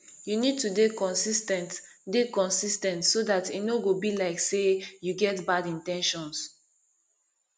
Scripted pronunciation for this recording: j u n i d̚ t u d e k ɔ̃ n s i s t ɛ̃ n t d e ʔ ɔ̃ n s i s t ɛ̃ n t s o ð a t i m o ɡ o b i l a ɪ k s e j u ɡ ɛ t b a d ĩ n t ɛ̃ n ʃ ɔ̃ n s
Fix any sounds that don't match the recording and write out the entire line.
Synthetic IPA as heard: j u n i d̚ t u d e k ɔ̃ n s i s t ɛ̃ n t d e k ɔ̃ n s i s t ɛ̃ n t s o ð a t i n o ɡ o b i l a ɪ k s e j u ɡ ɛ t b a d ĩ n t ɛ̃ n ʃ ɔ̃ n s